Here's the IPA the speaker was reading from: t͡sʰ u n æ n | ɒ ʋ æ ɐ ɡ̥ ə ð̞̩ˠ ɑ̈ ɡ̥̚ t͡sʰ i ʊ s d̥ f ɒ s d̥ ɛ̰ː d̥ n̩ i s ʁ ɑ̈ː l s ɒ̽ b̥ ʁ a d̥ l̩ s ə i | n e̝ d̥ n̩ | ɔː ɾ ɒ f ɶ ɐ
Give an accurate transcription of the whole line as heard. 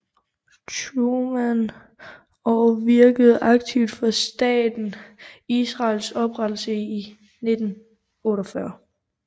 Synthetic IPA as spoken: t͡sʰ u m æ n | ɒ ʋ i ɐ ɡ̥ ə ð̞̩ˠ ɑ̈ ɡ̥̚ t͡sʰ i ʊ d̥ f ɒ s d̥ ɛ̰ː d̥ n̩ i s ʁ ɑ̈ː l s ɒ̽ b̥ ʁ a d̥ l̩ s ə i | n e̝ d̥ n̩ | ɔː ɾ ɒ f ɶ ɐ